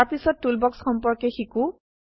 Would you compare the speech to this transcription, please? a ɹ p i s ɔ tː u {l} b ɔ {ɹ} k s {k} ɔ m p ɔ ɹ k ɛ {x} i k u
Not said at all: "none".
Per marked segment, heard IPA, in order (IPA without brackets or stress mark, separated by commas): l, none, x, x